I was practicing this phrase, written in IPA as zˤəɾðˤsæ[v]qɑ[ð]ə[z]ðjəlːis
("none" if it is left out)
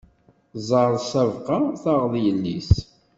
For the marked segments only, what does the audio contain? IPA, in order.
v, θ, ʁ

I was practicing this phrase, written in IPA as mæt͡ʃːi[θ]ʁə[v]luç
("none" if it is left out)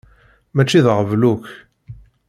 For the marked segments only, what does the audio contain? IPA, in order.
ð, v

